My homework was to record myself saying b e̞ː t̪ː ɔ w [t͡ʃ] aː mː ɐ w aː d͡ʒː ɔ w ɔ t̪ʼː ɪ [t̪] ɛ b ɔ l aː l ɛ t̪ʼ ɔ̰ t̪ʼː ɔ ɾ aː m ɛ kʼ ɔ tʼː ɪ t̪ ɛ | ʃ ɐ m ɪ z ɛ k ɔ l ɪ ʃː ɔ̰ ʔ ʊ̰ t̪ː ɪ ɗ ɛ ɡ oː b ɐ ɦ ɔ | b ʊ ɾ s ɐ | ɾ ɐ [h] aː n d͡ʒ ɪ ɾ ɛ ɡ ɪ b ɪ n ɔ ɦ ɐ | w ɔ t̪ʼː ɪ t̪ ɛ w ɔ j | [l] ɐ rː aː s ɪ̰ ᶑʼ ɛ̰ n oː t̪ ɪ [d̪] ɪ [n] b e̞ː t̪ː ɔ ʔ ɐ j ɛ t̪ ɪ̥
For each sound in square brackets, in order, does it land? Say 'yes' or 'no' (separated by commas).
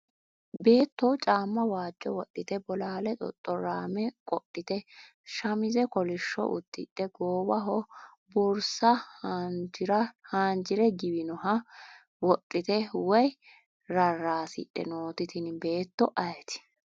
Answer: no, yes, yes, no, no, yes